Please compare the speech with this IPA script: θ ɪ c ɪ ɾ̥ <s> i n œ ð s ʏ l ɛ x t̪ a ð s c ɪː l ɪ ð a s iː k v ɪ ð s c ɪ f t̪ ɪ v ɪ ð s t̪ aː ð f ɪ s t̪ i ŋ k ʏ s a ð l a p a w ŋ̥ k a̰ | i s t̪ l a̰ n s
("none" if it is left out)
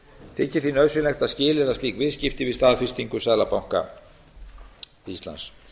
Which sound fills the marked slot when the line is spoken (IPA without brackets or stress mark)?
θ